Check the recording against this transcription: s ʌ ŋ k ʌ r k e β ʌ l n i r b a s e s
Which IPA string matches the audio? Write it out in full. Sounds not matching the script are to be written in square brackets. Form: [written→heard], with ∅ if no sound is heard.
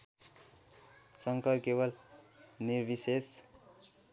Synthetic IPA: s ʌ ŋ k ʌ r k e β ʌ l n i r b [a→i] s e s